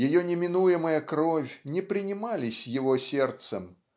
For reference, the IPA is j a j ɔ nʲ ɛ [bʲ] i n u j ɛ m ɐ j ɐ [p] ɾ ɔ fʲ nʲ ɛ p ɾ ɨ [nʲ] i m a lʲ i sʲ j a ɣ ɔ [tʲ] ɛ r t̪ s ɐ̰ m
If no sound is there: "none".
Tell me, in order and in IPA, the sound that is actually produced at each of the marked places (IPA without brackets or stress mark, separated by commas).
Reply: mʲ, k, nʲ, sʲ